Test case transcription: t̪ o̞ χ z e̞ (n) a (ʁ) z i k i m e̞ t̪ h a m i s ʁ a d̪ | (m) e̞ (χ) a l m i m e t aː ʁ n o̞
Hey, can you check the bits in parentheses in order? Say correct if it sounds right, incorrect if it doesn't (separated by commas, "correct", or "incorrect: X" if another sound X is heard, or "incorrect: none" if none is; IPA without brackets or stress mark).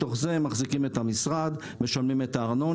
incorrect: m, incorrect: χ, correct, incorrect: ʃ